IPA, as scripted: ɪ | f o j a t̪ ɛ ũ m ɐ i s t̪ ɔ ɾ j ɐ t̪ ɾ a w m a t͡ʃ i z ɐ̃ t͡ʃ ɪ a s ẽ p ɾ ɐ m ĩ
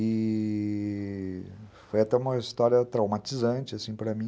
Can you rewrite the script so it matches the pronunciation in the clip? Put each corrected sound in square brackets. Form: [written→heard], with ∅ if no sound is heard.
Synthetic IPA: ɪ | f o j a t̪ ɛ ũ m ɐ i s t̪ ɔ ɾ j ɐ t̪ ɾ a w m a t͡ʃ i z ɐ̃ t͡ʃ ɪ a s [ẽ→ĩ] p ɾ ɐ m ĩ